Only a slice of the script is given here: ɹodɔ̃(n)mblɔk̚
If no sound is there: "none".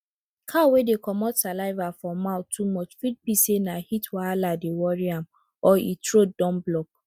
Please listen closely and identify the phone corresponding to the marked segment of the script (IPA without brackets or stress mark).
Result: none